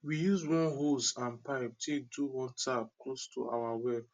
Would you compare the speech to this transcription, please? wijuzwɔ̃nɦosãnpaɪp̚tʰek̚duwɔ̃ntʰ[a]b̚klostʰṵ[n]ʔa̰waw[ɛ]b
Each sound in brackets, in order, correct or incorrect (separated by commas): correct, incorrect, correct